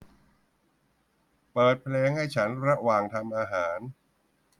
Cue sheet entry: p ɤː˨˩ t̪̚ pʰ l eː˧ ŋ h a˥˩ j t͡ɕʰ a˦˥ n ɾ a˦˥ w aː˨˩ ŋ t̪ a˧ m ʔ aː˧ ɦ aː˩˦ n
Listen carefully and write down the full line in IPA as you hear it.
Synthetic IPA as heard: p ɤː˨˩ t̪̚ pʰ l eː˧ ŋ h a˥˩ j t͡ɕʰ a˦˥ n ɾ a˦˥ w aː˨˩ ŋ t̪ʰ a˧ m ʔ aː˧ ɦ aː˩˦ n